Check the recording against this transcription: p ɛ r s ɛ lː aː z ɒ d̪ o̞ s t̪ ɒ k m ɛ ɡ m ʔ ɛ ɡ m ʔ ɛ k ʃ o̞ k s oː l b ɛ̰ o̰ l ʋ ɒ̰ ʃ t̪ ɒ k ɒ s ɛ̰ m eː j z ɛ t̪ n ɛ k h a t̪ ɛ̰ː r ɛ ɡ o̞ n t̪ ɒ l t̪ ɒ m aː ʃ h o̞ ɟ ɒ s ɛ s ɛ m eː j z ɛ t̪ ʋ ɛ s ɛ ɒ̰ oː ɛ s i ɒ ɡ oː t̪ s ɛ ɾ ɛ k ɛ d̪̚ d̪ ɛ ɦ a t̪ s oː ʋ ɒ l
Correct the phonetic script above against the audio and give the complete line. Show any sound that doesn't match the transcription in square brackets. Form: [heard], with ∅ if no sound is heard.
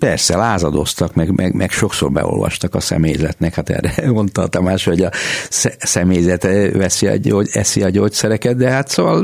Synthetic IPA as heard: p ɛ r s ɛ [l] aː z ɒ d̪ o̞ s t̪ ɒ k m ɛ ɡ m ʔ ɛ ɡ m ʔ ɛ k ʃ o̞ k s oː [r] b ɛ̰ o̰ l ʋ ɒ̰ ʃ t̪ ɒ k ɒ s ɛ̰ m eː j z ɛ t̪ n ɛ k h a t̪ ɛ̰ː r ɛ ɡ o̞ n t̪ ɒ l t̪ ɒ m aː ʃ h o̞ ɟ ɒ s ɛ s ɛ m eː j z ɛ t̪ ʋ ɛ s [i] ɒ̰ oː ɛ s i ɒ [ɟ] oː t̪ s ɛ ɾ ɛ k ɛ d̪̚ d̪ ɛ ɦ a t̪ s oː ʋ ɒ l